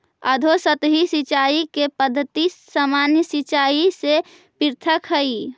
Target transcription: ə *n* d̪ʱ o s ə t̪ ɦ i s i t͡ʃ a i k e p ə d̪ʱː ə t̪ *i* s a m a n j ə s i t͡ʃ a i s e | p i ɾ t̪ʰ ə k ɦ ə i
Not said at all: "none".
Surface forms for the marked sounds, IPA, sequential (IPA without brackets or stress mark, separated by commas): none, i